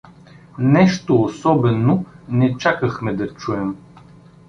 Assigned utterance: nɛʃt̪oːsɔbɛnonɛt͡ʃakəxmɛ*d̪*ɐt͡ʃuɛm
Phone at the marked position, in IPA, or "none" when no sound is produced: d̪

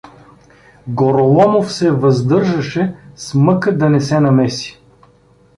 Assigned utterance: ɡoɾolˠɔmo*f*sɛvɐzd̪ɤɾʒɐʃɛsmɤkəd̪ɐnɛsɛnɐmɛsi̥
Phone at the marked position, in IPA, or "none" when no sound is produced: f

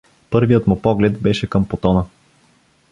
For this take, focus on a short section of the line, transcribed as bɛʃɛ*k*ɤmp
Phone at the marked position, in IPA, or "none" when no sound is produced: k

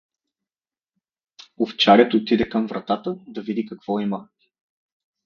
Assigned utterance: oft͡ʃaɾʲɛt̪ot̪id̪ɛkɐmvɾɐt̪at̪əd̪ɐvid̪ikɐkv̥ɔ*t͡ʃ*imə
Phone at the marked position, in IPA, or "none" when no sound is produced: none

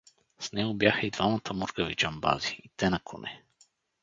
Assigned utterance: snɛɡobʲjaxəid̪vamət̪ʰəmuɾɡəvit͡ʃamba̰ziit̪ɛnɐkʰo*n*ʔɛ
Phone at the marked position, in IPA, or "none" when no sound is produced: n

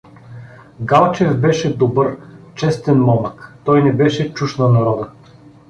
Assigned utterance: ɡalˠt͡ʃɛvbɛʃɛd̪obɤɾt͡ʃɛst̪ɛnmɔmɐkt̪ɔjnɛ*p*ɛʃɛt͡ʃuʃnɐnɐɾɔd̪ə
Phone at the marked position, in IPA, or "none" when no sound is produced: b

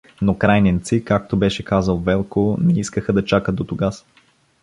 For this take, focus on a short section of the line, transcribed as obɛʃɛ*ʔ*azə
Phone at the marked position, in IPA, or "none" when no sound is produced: k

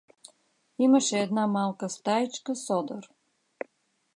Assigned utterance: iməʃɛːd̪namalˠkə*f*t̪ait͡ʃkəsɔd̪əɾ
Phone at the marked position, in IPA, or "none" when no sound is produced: s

